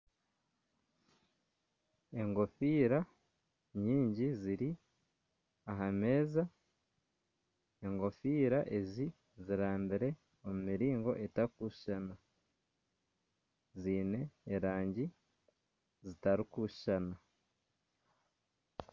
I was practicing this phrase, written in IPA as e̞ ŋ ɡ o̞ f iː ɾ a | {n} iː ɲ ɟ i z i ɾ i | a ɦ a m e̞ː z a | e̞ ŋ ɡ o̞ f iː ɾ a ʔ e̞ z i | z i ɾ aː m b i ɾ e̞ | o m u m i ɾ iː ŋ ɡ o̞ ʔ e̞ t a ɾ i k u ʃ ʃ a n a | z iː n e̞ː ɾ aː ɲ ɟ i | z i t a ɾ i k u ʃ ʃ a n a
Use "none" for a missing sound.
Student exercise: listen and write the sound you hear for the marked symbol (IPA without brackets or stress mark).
ɲ